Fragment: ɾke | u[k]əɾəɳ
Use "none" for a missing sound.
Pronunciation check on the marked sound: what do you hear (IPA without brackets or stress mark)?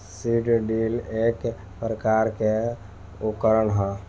k